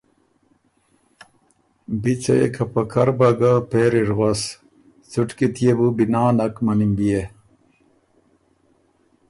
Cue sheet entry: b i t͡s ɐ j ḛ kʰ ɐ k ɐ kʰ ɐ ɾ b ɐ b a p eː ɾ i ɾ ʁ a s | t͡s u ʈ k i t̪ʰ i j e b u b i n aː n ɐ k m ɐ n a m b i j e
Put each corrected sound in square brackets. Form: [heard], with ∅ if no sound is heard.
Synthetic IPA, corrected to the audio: b i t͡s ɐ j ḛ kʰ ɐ [p] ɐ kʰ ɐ ɾ b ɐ [ɡ] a p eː ɾ i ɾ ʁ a s | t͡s u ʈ k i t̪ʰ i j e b u b i n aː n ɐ k m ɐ n [i] m b i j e